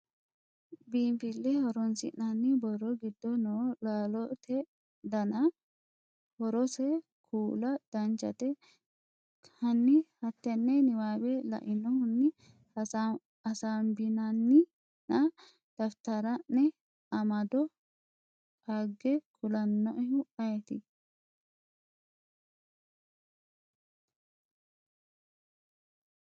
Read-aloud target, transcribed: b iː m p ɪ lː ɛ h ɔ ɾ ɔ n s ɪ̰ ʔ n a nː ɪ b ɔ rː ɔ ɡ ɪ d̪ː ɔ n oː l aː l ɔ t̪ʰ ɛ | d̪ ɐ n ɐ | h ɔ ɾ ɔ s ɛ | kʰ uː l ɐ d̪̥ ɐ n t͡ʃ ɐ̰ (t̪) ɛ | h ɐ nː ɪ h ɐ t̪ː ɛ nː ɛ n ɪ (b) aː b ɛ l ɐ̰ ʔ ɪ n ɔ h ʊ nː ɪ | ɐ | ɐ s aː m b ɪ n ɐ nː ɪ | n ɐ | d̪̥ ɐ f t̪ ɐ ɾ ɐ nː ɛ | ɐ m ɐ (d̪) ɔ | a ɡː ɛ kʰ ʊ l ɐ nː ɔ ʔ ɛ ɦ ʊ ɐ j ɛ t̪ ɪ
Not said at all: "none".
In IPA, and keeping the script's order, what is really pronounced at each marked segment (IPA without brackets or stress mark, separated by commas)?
t̪, w, d̪